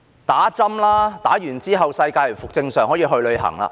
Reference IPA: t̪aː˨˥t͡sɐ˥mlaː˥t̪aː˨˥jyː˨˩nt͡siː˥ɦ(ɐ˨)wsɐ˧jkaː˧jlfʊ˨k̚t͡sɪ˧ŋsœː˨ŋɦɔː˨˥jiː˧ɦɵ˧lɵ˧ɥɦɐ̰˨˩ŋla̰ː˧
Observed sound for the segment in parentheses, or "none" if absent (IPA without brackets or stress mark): ɐ˨